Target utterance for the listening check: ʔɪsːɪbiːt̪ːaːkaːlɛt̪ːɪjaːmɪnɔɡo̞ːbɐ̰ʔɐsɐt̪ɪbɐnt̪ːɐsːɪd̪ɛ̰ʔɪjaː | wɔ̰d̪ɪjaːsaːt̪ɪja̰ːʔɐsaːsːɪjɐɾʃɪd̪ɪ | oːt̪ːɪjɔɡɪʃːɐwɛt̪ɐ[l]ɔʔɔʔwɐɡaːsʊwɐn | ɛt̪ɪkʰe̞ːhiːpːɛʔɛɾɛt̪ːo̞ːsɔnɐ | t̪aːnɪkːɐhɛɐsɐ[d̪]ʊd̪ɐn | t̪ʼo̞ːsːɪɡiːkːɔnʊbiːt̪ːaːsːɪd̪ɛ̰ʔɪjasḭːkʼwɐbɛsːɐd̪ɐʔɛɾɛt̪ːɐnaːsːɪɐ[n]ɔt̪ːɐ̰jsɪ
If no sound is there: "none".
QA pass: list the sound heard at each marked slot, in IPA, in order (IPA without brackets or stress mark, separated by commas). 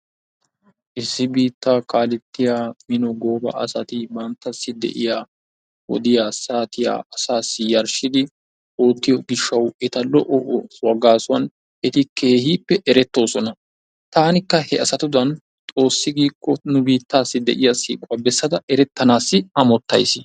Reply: l, t̪, m